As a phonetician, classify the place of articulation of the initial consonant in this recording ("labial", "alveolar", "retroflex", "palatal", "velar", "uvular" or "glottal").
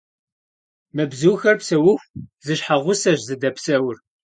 labial